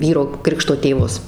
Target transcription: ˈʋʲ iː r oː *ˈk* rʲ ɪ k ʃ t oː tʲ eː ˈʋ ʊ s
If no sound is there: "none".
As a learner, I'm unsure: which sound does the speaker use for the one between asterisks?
k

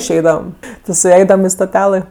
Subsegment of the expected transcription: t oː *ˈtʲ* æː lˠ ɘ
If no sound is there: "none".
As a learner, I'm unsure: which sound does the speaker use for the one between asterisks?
tʲ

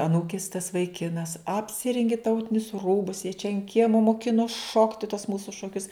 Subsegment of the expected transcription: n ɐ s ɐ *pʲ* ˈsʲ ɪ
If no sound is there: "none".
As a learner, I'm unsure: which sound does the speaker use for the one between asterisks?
pʲ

